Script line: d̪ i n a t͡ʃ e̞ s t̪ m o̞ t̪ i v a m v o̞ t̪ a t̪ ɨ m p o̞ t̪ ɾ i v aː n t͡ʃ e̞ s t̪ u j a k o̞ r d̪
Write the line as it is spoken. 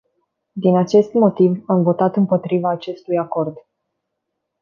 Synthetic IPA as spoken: d̪ i n a t͡ʃ e̞ s t̪ m o̞ t̪ i v a m v o̞ t̪ a t̪ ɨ m p o̞ t̪ ɾ i v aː t͡ʃ e̞ s t̪ u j a k o̞ r d̪